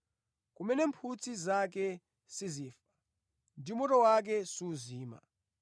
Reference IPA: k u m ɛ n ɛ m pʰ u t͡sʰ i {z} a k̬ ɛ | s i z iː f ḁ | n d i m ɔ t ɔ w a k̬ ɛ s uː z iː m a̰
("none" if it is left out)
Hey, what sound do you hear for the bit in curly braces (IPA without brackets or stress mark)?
z